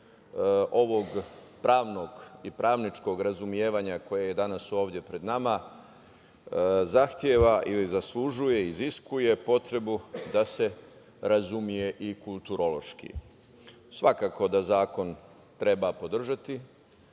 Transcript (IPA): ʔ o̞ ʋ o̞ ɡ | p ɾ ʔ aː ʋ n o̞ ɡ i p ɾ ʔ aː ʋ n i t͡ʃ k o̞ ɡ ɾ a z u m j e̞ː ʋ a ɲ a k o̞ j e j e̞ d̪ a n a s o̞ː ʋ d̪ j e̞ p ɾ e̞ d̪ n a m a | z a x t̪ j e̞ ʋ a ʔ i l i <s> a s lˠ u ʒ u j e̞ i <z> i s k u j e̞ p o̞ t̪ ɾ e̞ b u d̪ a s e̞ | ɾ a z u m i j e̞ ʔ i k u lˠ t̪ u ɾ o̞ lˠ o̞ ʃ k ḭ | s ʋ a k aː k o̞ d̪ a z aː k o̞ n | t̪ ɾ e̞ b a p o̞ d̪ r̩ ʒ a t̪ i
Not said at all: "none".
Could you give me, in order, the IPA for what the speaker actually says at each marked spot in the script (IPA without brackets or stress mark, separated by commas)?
z, z